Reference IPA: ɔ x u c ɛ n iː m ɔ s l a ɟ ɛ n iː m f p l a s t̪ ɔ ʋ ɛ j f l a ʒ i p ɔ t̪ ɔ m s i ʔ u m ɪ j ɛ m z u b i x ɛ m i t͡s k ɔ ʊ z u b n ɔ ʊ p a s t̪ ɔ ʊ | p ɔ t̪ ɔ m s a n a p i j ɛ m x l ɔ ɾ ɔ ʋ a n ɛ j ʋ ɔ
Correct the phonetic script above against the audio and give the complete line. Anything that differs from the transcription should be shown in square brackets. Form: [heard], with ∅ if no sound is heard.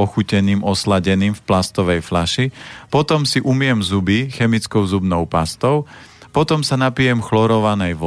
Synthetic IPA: ɔ x u c ɛ n iː m ɔ s l a ɟ ɛ n iː m f p l a s t̪ ɔ ʋ ɛ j f l a [ʃ] i p ɔ t̪ ɔ m s i ʔ u m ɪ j ɛ m z u b i x ɛ m i t͡s k ɔ ʊ z u b n ɔ ʊ p a s t̪ ɔ ʊ | p ɔ t̪ ɔ m s a n a p i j ɛ m x l ɔ ɾ ɔ ʋ a n ɛ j ʋ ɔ